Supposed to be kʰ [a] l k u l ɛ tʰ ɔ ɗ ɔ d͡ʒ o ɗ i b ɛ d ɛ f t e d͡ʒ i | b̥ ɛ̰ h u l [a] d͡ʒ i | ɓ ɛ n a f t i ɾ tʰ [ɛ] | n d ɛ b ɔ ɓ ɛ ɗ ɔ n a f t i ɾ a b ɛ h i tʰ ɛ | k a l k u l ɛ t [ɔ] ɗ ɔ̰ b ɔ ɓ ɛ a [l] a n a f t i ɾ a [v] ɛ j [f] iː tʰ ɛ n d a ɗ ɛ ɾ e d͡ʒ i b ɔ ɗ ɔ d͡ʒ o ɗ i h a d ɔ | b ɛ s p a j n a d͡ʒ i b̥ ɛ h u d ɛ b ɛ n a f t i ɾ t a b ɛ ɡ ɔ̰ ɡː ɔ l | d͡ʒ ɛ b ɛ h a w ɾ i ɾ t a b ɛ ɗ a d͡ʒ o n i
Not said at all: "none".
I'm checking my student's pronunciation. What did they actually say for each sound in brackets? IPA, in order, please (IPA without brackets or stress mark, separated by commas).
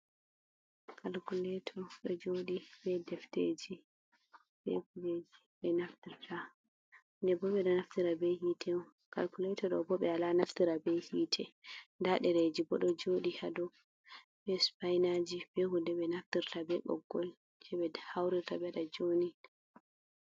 a, e, a, ɔ, l, b, h